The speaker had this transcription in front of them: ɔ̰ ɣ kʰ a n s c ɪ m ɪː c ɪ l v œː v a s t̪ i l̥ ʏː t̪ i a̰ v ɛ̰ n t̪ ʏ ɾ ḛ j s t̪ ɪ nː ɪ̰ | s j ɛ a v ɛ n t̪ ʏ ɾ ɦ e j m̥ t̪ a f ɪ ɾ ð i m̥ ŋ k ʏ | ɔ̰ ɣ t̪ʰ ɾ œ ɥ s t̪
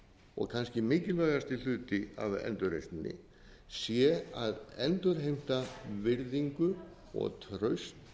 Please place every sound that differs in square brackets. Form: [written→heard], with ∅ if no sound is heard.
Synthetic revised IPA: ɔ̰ ɣ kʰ a n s c ɪ m ɪː c ɪ l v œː [v→ɣ] a s t̪ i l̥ ʏː t̪ [i→ɪ] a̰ v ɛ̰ n t̪ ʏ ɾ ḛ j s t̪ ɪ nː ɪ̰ | s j ɛ a [v→ð] ɛ n t̪ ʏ ɾ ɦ e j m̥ t̪ a [f→v] ɪ ɾ ð i [m̥→∅] ŋ k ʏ | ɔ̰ ɣ t̪ʰ ɾ œ ɥ s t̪